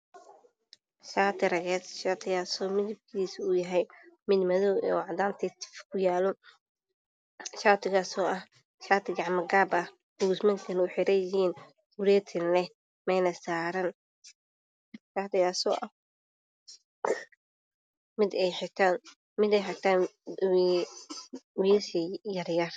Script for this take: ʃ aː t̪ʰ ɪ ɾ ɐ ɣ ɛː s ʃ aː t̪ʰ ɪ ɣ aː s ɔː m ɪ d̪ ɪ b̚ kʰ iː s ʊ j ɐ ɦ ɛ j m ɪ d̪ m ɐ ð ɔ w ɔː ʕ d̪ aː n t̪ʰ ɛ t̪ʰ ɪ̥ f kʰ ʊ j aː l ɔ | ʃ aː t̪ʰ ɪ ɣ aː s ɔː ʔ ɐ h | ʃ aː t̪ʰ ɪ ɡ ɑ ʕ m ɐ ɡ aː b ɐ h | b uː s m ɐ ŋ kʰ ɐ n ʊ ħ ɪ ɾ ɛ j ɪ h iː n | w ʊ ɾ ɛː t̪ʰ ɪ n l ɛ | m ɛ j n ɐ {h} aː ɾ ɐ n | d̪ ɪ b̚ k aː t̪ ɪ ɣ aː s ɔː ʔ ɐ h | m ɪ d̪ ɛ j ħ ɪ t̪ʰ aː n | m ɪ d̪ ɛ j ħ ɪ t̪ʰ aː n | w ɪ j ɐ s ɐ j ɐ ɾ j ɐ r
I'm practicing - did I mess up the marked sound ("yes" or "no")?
yes